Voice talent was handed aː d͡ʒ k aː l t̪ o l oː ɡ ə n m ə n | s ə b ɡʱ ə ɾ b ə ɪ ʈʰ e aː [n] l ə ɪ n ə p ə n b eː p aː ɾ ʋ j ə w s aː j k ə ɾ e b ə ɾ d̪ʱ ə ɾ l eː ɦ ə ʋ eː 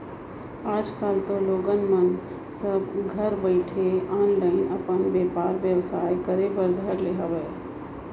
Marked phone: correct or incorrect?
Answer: correct